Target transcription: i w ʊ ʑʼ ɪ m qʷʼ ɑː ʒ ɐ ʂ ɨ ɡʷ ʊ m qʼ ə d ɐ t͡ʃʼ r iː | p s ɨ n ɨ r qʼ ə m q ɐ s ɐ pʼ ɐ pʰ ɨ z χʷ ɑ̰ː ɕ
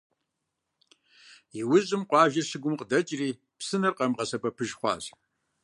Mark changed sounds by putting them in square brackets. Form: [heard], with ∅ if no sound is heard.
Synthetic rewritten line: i w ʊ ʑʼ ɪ m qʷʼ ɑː ʒ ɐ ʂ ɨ ɡʷ ʊ m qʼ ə d ɐ t͡ʃʼ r iː | p s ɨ n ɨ r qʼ [ɐ] m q ɐ s ɐ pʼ ɐ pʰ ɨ [ʒ] χʷ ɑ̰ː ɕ

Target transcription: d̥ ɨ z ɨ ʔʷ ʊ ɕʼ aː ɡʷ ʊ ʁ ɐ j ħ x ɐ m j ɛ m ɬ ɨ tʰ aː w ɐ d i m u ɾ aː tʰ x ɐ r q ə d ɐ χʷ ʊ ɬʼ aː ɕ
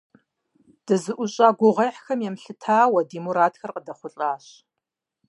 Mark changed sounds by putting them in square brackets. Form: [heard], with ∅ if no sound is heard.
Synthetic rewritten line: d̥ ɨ z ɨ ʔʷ ʊ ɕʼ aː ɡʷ ʊ ʁ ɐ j ħ x ɐ m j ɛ m ɬ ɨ tʰ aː w ɐ d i m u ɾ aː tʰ x ɐ r q ə d ɐ χʷ ʊ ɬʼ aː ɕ

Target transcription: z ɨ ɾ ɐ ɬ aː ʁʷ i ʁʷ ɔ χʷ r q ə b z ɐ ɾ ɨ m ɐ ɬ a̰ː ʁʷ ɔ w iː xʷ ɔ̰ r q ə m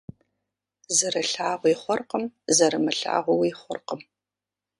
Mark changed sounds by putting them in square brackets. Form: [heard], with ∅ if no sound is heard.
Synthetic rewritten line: z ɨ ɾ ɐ ɬ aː ʁʷ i [χʷ] ɔ [∅] r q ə [m] z ɐ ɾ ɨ m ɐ ɬ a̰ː ʁʷ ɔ w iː [χʷ] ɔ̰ r q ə m

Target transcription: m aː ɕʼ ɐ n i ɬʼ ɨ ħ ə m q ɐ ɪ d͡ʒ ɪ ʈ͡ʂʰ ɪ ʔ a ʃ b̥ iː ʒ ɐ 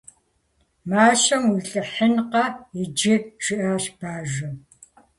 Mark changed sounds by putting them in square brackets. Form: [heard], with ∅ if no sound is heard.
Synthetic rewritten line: m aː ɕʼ ɐ [m] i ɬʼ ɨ ħ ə [n] q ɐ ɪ d͡ʒ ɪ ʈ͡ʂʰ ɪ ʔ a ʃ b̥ [aː] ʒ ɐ

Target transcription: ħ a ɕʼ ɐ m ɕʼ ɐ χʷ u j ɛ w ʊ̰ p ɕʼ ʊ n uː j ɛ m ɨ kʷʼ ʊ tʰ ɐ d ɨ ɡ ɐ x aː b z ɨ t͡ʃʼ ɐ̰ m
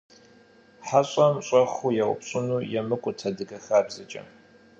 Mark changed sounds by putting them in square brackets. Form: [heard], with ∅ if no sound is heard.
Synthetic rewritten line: ħ a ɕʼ ɐ m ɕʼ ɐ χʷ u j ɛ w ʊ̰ p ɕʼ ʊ n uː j ɛ m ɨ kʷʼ ʊ tʰ ɐ d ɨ ɡ ɐ x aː b z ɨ t͡ʃʼ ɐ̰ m

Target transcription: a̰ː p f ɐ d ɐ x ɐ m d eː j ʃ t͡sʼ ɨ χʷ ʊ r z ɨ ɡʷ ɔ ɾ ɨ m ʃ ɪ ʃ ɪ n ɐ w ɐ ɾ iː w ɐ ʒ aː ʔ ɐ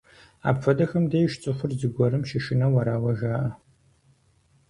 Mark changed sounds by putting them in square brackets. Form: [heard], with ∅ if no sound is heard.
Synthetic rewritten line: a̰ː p f ɐ d ɐ x ɐ m d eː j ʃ t͡sʼ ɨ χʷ ʊ r z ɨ ɡʷ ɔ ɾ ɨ m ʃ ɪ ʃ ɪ n ɐ w ɐ ɾ [aː] w ɐ ʒ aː ʔ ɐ

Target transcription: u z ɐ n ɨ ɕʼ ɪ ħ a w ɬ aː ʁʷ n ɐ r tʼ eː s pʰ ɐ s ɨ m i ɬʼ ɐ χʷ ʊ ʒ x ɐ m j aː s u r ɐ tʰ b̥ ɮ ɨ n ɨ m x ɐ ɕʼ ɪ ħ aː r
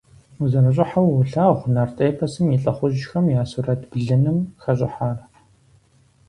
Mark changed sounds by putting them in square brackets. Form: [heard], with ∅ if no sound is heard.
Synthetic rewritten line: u z ɐ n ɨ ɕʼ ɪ ħ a w ɬ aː ʁʷ n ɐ r tʼ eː [∅] pʰ ɐ s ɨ m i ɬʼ ɐ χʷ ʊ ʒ x ɐ m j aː s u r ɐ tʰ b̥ ɮ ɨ n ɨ m x ɐ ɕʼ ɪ ħ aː r

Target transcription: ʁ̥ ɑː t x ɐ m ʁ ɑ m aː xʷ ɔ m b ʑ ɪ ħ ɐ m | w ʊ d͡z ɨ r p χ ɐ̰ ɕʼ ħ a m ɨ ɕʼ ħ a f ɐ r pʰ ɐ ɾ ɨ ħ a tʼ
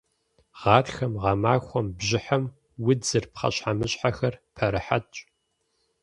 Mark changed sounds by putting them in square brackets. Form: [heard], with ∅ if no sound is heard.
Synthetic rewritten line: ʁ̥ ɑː t x ɐ m ʁ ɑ m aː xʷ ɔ m b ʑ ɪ ħ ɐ m | w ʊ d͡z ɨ r p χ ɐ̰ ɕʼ ħ a m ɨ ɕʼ ħ a [x] ɐ r pʰ ɐ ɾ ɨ ħ a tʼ

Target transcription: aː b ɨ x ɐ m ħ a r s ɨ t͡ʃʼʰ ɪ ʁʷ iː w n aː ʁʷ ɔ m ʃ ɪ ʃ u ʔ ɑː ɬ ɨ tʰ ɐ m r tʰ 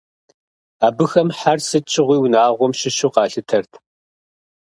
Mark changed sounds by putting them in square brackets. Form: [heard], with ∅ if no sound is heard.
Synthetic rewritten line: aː b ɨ x ɐ m ħ a r s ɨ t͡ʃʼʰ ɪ ʁʷ iː w n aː ʁʷ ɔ m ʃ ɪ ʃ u [q] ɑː ɬ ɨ tʰ ɐ [∅] r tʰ

